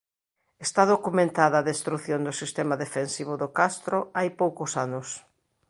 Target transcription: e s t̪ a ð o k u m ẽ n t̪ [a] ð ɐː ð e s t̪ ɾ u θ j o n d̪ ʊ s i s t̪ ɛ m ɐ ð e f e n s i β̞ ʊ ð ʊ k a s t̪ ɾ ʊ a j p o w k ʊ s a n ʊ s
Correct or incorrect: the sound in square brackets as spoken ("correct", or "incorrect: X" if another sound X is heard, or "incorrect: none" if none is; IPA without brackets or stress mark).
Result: correct